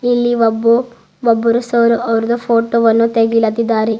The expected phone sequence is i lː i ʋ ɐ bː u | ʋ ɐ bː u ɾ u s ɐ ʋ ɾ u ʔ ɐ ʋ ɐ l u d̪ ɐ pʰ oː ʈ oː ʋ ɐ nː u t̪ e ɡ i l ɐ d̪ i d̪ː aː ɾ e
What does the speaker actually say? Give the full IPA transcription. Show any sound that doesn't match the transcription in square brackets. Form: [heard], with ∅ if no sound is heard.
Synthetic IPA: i lː i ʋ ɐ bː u | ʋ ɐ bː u ɾ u s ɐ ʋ ɾ u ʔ ɐ ʋ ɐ [ɾ] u d̪ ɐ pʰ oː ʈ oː ʋ ɐ nː u t̪ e ɡ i l ɐ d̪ i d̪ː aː ɾ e